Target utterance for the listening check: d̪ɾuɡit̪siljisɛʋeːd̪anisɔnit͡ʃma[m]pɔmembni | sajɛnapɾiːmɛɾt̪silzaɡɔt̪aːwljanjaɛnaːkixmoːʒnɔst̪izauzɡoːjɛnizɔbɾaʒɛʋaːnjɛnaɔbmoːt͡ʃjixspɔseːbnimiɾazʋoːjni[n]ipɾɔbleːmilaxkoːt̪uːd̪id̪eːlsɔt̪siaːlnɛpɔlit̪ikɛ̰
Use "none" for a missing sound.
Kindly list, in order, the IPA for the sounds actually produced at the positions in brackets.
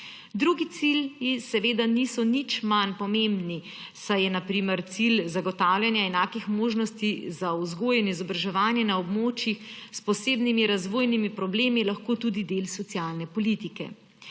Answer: n, m

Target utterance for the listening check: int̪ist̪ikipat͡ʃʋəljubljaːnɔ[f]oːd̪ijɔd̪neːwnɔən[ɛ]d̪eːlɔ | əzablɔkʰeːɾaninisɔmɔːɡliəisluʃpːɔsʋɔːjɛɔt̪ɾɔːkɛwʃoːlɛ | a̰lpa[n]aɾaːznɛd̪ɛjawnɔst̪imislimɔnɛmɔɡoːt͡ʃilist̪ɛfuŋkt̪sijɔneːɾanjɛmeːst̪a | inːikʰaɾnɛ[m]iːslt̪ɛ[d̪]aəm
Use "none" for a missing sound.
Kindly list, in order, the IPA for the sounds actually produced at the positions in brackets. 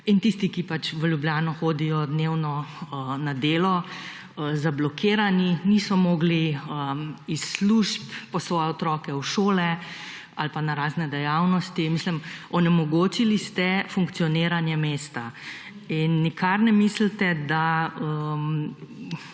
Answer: x, a, n, m, d̪

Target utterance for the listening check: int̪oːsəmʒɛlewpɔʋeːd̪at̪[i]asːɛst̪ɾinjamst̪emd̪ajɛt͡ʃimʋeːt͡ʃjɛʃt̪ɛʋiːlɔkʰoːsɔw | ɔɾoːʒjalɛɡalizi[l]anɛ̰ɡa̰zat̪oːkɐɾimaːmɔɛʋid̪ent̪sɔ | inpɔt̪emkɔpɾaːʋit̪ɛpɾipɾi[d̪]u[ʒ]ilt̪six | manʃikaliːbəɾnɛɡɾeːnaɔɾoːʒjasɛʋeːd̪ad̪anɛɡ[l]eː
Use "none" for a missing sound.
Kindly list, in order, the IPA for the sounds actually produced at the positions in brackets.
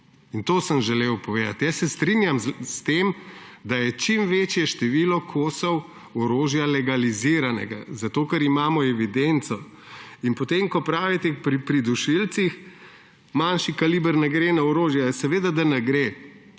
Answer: j, ɾ, d̪, ʃ, ɾ

